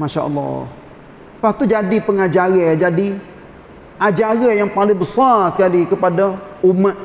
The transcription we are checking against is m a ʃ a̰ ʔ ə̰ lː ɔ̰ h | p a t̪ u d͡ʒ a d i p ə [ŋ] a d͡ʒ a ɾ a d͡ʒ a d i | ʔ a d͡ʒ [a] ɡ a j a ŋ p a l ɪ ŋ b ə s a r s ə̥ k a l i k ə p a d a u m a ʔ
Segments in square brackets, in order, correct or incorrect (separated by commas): correct, correct